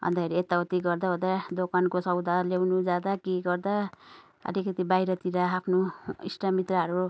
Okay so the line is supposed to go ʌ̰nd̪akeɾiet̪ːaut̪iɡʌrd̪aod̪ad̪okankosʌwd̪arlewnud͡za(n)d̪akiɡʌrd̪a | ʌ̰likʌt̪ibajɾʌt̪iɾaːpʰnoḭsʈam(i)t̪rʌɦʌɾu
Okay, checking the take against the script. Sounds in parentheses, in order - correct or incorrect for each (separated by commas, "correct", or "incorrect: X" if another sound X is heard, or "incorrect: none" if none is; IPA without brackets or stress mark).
incorrect: none, correct